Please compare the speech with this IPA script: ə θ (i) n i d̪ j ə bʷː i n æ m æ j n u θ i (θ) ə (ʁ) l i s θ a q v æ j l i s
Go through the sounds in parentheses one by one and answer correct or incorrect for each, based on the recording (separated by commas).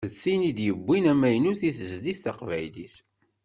correct, correct, incorrect